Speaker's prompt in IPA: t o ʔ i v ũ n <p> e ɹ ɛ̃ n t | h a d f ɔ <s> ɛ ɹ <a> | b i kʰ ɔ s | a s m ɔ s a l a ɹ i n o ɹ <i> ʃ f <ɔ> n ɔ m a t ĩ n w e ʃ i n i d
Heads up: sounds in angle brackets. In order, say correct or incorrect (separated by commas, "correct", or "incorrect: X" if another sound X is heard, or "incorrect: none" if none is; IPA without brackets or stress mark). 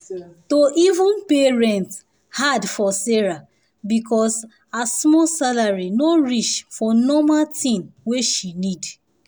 correct, correct, correct, correct, correct